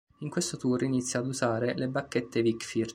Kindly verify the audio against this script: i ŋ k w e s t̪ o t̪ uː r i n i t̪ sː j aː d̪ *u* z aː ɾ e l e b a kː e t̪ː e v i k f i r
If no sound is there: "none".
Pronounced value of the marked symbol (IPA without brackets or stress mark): u